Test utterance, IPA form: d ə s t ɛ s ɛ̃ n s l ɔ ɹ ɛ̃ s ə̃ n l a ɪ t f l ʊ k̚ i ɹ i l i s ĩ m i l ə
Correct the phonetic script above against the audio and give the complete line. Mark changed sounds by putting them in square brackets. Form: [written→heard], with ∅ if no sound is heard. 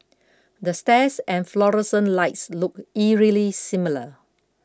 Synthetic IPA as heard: d ə s t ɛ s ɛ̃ n [s→f] l ɔ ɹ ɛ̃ s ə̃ n l a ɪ t [f→s] l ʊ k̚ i ɹ i l i s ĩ m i l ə